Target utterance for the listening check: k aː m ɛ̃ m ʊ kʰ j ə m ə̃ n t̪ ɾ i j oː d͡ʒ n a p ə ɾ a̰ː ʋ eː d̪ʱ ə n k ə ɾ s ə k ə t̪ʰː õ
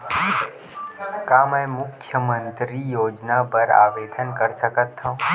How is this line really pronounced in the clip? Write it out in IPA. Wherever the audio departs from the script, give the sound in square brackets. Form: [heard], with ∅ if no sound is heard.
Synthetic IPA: k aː m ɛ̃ m ʊ kʰ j ə m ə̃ n t̪ ɾ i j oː d͡ʒ n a p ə ɾ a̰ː ʋ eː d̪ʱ ə n k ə ɾ s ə k ə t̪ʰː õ